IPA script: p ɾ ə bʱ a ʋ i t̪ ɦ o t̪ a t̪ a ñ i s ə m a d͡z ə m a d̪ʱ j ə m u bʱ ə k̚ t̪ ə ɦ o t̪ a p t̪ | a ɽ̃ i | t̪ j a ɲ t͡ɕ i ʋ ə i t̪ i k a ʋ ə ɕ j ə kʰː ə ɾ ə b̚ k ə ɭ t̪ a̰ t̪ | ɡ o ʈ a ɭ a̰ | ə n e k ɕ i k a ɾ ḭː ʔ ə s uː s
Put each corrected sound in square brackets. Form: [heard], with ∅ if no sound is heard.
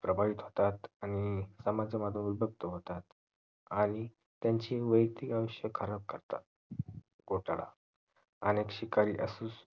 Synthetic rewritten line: p ɾ ə bʱ a ʋ i t̪ ɦ o t̪ a t̪ a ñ i s ə m a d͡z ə m a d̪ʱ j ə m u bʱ ə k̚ t̪ ə ɦ o t̪ a [∅] t̪ | a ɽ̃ i | t̪ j a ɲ t͡ɕ i ʋ ə [j] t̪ i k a ʋ ə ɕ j ə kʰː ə ɾ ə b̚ k ə [ɾ] t̪ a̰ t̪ | ɡ o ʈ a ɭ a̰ | ə n e k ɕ i k a ɾ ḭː ʔ ə s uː s

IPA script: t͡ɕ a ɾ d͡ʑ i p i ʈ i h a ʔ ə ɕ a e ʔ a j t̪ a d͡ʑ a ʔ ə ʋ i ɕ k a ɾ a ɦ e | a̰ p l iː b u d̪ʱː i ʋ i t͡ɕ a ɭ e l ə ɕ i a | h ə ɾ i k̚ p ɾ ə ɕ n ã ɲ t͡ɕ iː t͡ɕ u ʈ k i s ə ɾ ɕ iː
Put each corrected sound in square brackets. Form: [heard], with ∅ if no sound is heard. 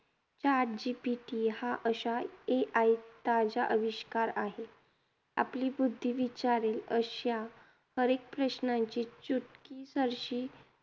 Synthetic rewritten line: t͡ɕ a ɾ d͡ʑ i p i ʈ i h a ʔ ə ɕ a e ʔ a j t̪ a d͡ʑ a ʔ ə ʋ i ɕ k a ɾ a ɦ e | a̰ p l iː b u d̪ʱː i ʋ i t͡ɕ a [ɾ] e l ə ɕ [j] a | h ə ɾ [e] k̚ p ɾ ə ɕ n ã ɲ t͡ɕ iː t͡ɕ u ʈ k i s ə ɾ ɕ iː

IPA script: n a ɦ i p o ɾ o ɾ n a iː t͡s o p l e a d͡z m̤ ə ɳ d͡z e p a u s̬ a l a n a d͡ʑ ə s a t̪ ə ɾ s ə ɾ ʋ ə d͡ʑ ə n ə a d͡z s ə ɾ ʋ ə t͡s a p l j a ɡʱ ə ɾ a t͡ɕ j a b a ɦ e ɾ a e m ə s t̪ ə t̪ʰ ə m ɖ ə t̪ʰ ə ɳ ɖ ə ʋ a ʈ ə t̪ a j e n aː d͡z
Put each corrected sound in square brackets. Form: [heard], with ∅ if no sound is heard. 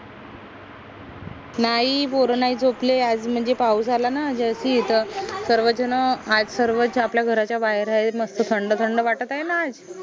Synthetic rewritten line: n a ɦ i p o ɾ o [∅] n a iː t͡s o p l e a d͡z m̤ ə ɳ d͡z e p a u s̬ a l a n a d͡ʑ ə s [i] t̪ ə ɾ s ə ɾ ʋ ə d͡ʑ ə n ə a d͡z s ə ɾ ʋ ə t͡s a p l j a ɡʱ ə ɾ a t͡ɕ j a b a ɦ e ɾ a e m ə s t̪ ə t̪ʰ ə [ɳ] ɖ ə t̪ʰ ə ɳ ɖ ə ʋ a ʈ ə t̪ a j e n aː d͡z

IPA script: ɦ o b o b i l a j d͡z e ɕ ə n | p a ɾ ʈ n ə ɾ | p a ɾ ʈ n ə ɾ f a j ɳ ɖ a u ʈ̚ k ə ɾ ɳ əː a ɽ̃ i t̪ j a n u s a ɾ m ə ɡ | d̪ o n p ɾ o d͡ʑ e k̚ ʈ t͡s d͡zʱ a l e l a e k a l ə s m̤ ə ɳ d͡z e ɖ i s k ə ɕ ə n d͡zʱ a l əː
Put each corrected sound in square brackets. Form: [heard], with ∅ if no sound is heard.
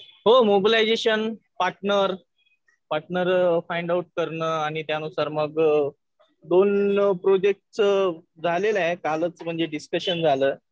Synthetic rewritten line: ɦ o [m] o b i l a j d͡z e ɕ ə n | p a ɾ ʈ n ə ɾ | p a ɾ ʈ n ə ɾ f a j ɳ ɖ a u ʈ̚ k ə ɾ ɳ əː a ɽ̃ i t̪ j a n u s a ɾ m ə ɡ | d̪ o n p ɾ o d͡ʑ e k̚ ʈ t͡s d͡zʱ a l e l a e k a l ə [t͡s] m̤ ə ɳ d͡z e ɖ i s k ə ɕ ə n d͡zʱ a l əː

